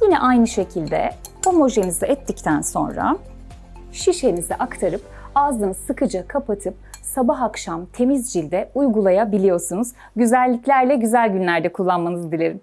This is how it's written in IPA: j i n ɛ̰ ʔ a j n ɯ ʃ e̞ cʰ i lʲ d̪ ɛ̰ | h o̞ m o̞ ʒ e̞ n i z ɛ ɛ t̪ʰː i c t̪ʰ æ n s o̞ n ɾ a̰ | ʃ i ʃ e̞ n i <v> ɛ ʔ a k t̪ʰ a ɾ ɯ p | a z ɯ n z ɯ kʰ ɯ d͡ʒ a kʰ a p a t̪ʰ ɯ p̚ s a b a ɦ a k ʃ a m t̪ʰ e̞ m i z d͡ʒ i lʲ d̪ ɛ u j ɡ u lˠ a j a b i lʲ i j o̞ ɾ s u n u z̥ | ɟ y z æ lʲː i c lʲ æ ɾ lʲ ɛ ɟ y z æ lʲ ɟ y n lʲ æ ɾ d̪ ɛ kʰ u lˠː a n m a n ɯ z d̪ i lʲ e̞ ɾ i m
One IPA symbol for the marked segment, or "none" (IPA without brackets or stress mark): z